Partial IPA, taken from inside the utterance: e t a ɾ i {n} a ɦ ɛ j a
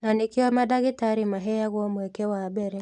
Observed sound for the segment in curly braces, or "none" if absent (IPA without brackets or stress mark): m